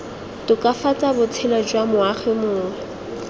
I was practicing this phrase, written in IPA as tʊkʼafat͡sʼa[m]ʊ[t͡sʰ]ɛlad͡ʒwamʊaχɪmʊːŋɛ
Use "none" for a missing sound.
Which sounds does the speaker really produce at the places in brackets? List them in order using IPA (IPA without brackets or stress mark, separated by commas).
b, t͡sʰ